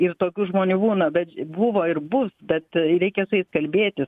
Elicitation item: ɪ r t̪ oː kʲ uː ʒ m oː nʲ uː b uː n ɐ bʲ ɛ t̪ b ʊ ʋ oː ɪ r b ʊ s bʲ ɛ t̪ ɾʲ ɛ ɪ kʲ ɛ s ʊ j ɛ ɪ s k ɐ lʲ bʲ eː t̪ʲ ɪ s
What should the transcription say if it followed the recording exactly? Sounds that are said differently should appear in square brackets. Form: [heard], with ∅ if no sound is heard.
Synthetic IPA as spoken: ɪ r t̪ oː kʲ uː ʒ m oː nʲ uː b uː n ɐ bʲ ɛ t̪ b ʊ ʋ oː ɪ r b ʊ s bʲ ɛ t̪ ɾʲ ɛ ɪ kʲ ɛ s ʊ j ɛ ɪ s k ɐ lʲ bʲ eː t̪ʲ ɪ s